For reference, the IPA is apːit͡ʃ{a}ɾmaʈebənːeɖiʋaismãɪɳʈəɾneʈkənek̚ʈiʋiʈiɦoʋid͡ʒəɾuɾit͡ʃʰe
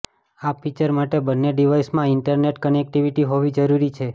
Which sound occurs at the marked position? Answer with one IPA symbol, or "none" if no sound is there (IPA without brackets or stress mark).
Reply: ə